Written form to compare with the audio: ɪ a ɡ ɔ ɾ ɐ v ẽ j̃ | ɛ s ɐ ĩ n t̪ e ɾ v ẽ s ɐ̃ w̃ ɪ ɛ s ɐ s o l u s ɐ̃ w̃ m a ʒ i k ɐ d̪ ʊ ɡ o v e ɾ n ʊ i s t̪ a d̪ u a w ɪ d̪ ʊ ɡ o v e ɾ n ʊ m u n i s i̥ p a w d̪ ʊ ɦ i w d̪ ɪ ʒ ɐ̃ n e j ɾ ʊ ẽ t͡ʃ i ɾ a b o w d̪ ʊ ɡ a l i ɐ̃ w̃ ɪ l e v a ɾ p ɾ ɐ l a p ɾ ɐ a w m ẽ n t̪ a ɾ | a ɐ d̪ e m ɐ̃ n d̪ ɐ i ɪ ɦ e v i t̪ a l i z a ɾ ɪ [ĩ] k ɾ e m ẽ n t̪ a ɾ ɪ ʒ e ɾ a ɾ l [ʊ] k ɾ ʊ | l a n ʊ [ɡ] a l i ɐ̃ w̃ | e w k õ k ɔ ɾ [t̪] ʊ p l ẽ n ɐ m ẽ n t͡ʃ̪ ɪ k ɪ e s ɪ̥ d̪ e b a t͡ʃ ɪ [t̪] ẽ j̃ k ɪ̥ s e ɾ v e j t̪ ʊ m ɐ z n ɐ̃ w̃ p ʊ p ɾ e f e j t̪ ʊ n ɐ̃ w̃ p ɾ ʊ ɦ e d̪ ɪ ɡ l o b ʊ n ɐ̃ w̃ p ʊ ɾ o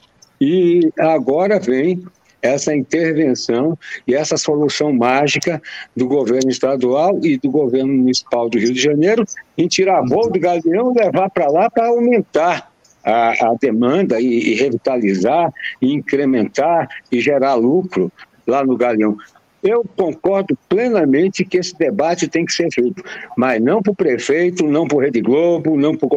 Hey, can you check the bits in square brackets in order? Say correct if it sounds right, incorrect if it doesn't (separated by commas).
correct, incorrect, correct, incorrect, correct